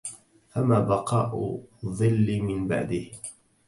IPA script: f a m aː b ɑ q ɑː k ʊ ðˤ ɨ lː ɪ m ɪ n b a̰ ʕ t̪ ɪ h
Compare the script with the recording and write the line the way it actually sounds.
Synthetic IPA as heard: f a m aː b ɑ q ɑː ʔ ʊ ðˤ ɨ lː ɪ m ɪ n b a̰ ʕ d̪ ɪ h